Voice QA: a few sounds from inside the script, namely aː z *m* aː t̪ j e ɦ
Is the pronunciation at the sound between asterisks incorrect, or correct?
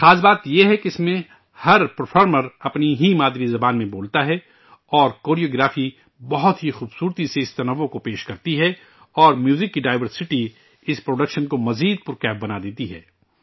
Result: incorrect